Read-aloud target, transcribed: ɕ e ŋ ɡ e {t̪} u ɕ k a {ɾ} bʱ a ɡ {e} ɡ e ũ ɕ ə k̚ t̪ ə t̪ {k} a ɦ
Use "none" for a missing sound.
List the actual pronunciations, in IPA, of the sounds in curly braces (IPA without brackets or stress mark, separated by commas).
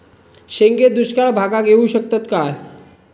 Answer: d̪, ɭ, a, k